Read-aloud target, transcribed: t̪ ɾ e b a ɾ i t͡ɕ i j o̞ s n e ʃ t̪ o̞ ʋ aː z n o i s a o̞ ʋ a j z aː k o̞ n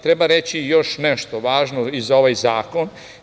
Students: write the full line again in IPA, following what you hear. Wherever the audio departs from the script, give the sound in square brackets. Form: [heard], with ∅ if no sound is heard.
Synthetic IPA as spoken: t̪ ɾ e b a ɾ [e] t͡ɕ i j o̞ [ʃ] n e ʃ t̪ o̞ ʋ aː [ʒ] n o i [z] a o̞ ʋ a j z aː k o̞ n